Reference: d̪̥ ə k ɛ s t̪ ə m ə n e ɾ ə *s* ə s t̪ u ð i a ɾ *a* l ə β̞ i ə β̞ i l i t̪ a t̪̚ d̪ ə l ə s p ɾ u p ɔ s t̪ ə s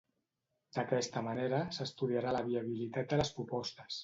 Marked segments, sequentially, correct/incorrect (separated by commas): correct, correct